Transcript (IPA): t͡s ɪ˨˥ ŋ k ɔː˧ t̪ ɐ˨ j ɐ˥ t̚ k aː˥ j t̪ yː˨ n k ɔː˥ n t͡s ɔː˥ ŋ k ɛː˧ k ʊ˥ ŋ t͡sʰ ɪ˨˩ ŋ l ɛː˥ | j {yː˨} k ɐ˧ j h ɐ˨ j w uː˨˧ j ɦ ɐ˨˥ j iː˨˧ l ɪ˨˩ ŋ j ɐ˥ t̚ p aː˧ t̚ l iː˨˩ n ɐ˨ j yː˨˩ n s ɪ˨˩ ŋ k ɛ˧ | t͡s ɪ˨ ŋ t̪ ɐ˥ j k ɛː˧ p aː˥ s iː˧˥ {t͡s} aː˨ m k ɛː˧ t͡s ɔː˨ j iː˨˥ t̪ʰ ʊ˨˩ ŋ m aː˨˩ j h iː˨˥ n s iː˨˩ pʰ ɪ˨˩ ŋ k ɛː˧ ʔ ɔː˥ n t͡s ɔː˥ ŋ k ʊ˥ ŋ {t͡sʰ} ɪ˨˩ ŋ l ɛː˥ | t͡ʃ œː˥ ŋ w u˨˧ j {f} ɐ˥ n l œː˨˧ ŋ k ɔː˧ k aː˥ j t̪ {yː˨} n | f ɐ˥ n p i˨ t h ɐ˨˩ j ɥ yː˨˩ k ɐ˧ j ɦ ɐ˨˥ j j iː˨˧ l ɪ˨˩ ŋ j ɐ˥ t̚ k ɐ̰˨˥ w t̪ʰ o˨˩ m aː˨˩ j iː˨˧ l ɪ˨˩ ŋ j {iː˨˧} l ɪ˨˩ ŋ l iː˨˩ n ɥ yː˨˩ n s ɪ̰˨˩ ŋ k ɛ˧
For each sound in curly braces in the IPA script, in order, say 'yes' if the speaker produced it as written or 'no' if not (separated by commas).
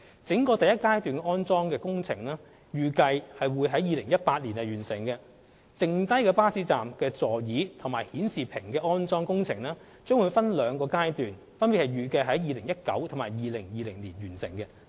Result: yes, yes, yes, yes, yes, yes